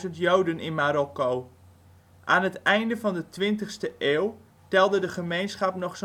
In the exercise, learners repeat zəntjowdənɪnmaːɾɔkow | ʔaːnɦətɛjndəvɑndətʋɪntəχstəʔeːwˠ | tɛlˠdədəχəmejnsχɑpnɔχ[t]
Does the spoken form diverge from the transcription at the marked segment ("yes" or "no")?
yes